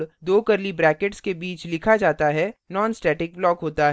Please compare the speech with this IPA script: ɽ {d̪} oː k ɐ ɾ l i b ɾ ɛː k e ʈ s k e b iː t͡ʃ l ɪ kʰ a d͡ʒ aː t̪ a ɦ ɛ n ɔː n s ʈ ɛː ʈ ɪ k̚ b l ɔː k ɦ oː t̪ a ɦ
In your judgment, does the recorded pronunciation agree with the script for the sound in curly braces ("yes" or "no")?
yes